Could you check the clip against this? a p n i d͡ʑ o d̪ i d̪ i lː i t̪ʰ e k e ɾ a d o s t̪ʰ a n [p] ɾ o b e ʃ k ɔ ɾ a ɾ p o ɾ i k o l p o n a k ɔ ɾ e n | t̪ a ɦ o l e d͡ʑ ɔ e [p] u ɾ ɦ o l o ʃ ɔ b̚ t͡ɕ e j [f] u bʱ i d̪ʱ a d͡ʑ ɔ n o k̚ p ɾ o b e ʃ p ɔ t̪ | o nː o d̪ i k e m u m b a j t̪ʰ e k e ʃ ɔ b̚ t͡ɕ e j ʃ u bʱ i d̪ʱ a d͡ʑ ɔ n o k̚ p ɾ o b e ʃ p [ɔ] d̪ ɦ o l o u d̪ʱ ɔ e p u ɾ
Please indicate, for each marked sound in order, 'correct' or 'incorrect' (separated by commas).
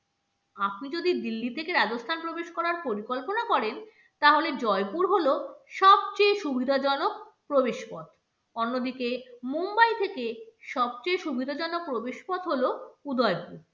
correct, correct, incorrect, correct